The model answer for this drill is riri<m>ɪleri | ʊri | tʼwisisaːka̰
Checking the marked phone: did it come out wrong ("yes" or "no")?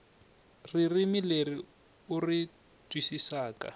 no